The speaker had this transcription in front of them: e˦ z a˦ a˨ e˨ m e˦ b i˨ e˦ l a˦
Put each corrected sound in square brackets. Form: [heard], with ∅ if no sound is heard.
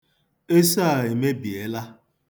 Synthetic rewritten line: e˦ [s] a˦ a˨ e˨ m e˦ b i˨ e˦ l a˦